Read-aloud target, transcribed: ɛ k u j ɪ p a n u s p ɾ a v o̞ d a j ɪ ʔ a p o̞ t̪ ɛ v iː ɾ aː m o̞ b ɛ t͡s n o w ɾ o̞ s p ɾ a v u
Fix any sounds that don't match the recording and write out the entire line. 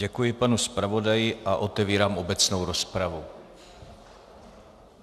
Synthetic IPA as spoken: ɛ k u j ɪ p a n u s p ɾ a v o̞ d a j ɪ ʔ a ʔ o̞ t̪ ɛ v iː ɾ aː m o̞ b ɛ t͡s n o w ɾ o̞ s p ɾ a v u